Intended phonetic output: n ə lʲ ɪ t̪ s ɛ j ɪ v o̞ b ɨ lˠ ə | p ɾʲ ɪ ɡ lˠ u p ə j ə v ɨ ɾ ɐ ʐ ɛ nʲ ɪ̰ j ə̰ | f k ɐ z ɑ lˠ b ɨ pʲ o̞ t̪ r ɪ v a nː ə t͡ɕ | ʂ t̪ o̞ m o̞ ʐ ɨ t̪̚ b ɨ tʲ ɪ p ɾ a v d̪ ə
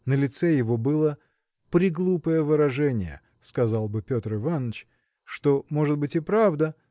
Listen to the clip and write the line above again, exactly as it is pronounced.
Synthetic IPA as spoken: n ə lʲ ɪ t̪ s ɛ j ɪ v o̞ b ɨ lˠ ə | p ɾʲ ɪ ɡ lˠ u p ə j ə v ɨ ɾ ɐ ʐ ɛ nʲ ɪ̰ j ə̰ | s k ɐ z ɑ lˠ b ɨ pʲ o̞ t̪ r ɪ v a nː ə t͡ɕ | ʂ t̪ o̞ m o̞ ʐ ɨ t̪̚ b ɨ tʲ ɪ p ɾ a v d̪ ə